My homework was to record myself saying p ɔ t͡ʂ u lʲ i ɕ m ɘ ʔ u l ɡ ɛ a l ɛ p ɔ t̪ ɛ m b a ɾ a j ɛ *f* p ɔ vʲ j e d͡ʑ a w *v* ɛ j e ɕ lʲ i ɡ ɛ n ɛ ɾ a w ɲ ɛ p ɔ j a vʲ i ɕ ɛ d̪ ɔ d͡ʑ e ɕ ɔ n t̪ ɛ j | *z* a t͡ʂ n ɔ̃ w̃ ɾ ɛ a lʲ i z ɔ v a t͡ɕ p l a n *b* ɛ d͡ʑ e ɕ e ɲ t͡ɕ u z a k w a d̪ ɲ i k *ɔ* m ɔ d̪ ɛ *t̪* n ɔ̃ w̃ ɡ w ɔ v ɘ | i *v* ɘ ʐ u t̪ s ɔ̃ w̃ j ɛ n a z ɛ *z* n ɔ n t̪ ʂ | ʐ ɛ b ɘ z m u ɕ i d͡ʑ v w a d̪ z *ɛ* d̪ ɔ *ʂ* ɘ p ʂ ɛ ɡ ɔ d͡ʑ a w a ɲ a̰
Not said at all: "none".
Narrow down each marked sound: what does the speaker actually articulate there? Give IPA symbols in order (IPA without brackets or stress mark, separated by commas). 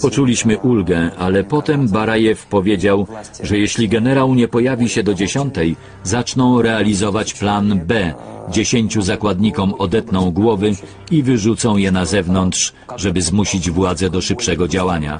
f, ʐ, z, b, ɔ, t̪, v, v, ɛ, ʂ